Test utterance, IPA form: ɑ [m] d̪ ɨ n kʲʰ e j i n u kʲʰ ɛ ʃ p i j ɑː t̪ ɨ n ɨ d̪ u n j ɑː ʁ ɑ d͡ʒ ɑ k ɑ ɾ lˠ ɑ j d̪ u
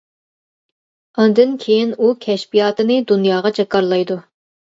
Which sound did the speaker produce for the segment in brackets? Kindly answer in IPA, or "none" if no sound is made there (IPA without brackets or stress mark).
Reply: n